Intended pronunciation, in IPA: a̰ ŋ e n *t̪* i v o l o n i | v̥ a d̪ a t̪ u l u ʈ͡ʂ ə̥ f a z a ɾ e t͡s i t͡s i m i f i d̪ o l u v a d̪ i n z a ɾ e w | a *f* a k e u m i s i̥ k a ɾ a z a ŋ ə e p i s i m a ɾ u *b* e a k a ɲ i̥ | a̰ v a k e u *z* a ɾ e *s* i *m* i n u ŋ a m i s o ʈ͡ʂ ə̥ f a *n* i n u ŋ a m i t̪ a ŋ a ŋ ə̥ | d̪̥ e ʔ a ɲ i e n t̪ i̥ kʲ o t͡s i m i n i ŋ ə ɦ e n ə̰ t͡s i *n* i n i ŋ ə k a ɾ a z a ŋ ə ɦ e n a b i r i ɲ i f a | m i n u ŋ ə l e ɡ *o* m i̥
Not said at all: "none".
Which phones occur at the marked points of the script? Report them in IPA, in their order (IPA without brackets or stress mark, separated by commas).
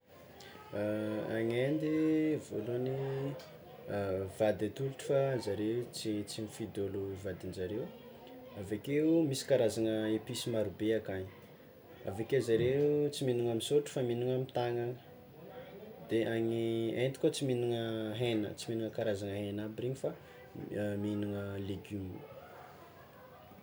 d̪, v, b, z, t͡s, m, m, m, u